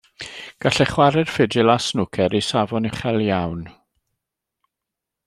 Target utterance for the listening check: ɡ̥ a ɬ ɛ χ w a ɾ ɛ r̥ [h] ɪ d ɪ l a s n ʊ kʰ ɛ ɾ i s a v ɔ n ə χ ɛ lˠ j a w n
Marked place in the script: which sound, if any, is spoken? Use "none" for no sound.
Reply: f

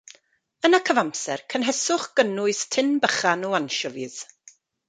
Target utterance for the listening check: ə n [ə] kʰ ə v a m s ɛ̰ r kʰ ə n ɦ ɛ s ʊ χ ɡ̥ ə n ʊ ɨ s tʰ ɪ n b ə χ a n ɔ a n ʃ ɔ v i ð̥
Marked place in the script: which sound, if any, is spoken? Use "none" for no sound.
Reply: a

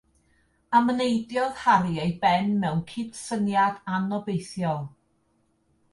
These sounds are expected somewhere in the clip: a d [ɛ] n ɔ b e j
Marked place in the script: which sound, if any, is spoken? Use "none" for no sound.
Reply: a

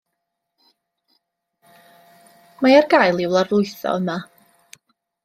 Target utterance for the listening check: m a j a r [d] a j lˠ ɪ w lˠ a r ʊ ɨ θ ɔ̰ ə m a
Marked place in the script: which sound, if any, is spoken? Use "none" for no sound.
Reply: ɡ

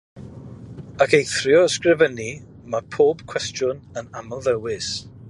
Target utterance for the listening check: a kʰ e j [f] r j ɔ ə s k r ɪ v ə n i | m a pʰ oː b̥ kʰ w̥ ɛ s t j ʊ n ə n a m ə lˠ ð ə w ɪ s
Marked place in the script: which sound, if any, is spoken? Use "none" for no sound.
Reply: θ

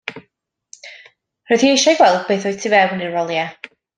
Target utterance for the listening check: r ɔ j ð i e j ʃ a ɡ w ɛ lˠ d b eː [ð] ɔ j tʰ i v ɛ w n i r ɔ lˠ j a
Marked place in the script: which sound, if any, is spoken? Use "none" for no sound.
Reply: θ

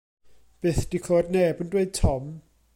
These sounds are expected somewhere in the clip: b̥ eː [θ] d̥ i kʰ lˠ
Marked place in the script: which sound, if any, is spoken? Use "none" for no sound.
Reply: θ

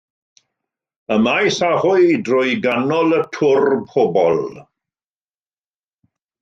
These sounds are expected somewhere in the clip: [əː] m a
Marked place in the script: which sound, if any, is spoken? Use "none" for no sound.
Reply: ə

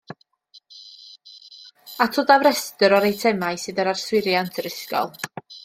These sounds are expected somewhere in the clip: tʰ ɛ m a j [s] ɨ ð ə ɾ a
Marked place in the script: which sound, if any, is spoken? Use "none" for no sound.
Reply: s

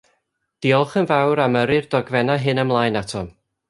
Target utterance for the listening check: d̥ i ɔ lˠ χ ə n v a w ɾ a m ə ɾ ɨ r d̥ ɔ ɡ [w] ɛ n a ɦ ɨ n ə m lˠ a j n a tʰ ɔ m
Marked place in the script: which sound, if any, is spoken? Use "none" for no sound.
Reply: v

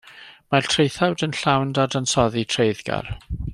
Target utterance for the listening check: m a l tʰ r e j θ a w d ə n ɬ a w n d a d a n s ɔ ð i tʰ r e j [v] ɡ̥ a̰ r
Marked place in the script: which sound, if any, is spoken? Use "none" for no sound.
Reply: ð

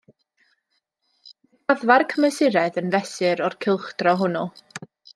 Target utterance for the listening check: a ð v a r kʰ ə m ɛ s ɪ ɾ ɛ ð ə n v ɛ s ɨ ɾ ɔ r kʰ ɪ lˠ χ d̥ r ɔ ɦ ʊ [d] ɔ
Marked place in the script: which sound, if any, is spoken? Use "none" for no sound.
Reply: n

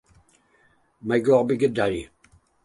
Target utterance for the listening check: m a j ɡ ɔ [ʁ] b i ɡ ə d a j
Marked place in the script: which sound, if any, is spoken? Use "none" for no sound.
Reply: ʁ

